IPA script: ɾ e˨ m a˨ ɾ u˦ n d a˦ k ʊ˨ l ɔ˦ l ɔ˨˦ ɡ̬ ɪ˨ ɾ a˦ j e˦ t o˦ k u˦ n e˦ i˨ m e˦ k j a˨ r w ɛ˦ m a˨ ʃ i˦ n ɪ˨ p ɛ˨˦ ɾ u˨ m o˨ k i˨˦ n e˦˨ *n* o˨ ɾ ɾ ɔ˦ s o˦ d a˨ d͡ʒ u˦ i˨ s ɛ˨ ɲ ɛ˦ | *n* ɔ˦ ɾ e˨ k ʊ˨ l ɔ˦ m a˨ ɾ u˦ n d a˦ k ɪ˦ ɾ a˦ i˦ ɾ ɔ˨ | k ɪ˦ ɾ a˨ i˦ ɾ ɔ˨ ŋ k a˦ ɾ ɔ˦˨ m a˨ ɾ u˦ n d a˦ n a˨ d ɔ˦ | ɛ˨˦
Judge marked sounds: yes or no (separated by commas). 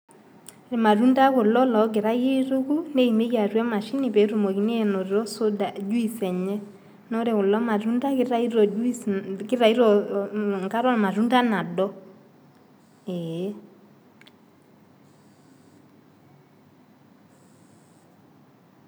yes, yes